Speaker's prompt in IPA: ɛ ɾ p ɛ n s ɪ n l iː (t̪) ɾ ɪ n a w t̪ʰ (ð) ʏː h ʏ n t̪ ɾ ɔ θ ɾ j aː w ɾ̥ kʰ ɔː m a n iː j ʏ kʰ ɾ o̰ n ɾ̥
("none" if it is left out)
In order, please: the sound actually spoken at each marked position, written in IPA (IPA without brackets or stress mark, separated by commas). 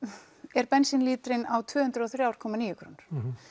t̪, v